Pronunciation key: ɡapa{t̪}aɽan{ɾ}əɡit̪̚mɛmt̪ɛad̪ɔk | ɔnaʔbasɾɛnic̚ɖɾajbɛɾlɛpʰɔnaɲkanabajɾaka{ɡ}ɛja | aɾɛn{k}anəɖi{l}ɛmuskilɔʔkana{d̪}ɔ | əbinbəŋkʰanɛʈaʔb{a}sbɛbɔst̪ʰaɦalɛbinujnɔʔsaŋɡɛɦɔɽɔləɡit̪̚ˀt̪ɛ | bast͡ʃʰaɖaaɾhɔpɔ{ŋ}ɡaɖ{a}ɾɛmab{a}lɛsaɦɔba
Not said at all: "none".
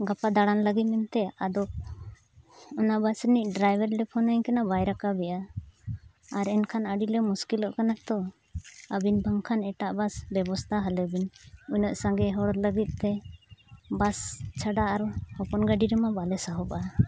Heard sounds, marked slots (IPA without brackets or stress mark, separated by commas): d̪, l, b, kʰ, l, t̪, a, n, i, a